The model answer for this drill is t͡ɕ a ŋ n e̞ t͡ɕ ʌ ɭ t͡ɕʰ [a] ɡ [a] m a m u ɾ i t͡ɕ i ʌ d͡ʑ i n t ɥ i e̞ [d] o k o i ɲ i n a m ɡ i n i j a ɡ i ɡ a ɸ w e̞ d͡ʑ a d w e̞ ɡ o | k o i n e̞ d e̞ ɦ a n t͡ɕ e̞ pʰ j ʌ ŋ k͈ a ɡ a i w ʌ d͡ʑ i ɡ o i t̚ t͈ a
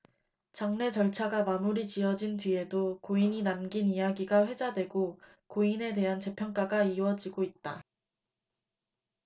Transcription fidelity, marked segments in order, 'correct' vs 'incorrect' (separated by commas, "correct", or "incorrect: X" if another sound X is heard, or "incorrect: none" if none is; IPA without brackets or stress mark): correct, correct, correct